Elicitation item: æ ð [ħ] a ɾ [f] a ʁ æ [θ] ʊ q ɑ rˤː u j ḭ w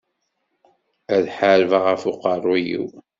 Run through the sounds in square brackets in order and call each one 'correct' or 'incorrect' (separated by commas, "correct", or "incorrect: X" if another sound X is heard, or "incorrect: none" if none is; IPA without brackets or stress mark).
correct, incorrect: v, incorrect: f